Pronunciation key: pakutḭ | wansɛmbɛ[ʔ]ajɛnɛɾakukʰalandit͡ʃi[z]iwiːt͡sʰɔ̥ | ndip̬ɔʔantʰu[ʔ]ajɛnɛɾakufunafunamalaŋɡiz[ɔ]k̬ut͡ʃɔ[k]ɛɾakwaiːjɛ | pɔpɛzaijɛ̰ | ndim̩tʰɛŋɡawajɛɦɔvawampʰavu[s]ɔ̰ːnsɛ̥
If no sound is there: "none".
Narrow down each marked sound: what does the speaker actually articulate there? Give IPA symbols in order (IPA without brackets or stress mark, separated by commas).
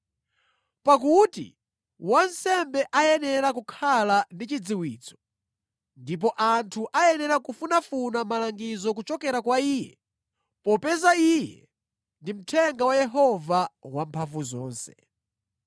ʔ, d͡z, ʔ, ɔ, k, z